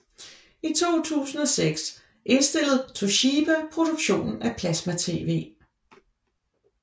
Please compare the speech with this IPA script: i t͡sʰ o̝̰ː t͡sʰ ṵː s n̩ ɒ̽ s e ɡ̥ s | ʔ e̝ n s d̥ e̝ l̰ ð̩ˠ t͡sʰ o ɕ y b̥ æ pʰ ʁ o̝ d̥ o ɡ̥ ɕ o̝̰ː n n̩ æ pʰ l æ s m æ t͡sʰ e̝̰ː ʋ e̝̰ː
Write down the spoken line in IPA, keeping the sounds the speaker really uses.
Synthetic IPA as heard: i t͡sʰ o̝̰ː t͡sʰ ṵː s n̩ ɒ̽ s e ɡ̥ s | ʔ e̝ n s d̥ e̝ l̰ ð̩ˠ t͡sʰ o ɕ i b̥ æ pʰ ʁ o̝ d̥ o ɡ̥ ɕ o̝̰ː n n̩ æ pʰ l æ s m æ t͡sʰ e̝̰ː ʋ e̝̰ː